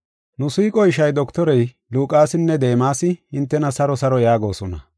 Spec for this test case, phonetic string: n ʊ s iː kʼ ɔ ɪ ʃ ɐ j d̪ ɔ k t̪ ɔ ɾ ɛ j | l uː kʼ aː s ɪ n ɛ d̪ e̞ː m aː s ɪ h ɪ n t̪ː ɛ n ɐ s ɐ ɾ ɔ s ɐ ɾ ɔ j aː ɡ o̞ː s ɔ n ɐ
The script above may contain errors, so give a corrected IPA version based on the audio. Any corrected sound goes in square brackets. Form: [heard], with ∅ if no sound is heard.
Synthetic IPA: n ʊ s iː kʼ ɔ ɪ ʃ ɐ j d̪ ɔ k t̪ ɔ ɾ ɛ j | l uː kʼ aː s ɪ [nː] ɛ d̪ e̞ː m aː s ɪ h ɪ n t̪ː ɛ n ɐ s ɐ ɾ ɔ s ɐ ɾ ɔ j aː ɡ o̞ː s ɔ n ɐ

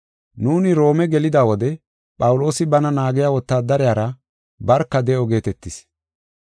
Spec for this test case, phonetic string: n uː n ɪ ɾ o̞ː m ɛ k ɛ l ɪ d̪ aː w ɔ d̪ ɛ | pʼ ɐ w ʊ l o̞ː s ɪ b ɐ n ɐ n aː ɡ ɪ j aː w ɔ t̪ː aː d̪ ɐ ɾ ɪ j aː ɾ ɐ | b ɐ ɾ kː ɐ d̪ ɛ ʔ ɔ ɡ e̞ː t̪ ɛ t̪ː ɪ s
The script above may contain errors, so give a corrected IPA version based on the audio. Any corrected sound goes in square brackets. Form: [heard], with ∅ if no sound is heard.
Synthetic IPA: n uː n ɪ ɾ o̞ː m ɛ [ɡ] ɛ l ɪ d̪ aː w ɔ d̪ ɛ | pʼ ɐ w ʊ l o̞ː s ɪ b ɐ n ɐ n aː ɡ ɪ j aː w ɔ t̪ː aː d̪ ɐ ɾ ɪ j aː ɾ ɐ | b ɐ ɾ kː ɐ d̪ ɛ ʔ ɔ ɡ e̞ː t̪ ɛ t̪ː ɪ s

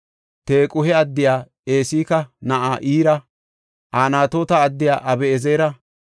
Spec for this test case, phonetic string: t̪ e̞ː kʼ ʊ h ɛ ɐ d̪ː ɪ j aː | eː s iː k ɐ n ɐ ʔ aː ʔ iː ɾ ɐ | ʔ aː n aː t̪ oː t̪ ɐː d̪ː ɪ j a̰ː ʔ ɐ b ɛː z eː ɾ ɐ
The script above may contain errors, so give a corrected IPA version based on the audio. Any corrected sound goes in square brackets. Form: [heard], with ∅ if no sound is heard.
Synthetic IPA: t̪ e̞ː kʼ ʊ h ɛ ɐ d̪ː ɪ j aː | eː s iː k ɐ n ɐ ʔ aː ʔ iː ɾ ɐ | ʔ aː n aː t̪ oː t̪ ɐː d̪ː ɪ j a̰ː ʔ ɐ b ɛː z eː ɾ ɐ

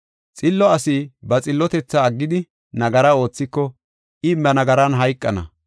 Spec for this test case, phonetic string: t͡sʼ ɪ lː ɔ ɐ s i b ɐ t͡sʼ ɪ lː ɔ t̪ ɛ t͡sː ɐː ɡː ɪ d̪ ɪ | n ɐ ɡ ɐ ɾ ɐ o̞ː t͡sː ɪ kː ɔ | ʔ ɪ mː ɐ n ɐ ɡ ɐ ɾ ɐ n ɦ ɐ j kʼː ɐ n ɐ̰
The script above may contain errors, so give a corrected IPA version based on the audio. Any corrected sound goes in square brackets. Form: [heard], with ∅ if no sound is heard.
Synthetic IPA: t͡sʼ ɪ lː ɔ ɐ s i b ɐ t͡sʼ ɪ lː ɔ t̪ ɛ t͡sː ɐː ɡː ɪ d̪ ɪ | n ɐ ɡ ɐ ɾ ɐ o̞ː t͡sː ɪ kː ɔ | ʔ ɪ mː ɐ n ɐ ɡ ɐ ɾ ɐ n ɦ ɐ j kʼː ɐ n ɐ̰

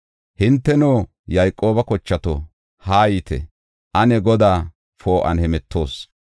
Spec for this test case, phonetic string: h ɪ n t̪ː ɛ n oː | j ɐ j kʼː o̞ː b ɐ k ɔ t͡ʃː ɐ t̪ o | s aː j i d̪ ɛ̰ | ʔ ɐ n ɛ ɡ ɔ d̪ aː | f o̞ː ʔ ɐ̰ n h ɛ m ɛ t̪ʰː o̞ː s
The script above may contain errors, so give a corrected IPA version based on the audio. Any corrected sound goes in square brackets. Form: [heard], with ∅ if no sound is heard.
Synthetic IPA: h ɪ n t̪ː ɛ n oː | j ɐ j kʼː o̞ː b ɐ k ɔ t͡ʃː ɐ t̪ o | [h] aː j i [t̪] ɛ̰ | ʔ ɐ n ɛ ɡ ɔ d̪ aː | f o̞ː ʔ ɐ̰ n h ɛ m ɛ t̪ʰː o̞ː s

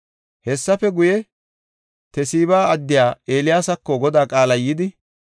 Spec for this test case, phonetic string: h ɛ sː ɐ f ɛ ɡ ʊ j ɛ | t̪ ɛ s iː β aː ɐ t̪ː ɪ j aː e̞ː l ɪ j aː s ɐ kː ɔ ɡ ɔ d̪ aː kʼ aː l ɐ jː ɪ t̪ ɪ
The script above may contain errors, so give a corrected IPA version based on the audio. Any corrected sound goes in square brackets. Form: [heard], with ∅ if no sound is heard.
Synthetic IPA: h ɛ sː ɐ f ɛ ɡ ʊ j ɛ | t̪ ɛ s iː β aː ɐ [d̪ː] ɪ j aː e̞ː l ɪ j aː s ɐ kː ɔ ɡ ɔ d̪ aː kʼ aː l ɐ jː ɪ [d̪] ɪ

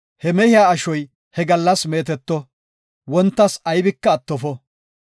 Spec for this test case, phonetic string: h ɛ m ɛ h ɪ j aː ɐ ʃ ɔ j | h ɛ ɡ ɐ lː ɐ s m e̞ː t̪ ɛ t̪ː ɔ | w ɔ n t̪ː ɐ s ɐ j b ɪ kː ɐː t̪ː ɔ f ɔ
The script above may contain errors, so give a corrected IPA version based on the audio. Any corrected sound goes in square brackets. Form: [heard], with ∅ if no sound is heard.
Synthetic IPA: h ɛ m ɛ h ɪ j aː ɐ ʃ ɔ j | h ɛ ɡ ɐ lː ɐ s m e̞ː t̪ ɛ t̪ː ɔ | w ɔ n t̪ː ɐ s ɐ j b ɪ kː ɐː t̪ː ɔ f ɔ

